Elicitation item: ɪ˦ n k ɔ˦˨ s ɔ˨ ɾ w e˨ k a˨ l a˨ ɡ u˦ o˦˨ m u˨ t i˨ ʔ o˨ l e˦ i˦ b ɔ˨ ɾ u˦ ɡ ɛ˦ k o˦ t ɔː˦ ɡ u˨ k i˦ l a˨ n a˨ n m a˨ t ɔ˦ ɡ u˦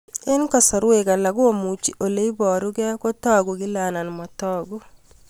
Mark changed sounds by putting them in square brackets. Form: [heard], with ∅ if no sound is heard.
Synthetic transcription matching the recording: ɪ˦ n k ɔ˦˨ s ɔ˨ ɾ w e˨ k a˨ l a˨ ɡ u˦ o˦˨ m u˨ [t͡ʃ] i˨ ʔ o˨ l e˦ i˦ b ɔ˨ ɾ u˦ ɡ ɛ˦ k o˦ t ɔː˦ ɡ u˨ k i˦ l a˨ n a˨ n m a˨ t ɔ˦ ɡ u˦